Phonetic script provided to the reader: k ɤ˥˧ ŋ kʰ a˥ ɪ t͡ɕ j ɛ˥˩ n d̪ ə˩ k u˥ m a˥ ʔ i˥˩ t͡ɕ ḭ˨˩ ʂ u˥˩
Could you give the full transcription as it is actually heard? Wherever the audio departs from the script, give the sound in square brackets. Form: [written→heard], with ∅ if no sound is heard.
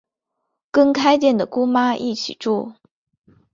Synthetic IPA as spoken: k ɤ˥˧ ŋ kʰ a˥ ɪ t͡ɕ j ɛ˥˩ n d̪ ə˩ k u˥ m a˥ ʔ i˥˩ [t͡ɕ→t͡ɕʰ] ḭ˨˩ [ʂ→ʈ͡ʂ] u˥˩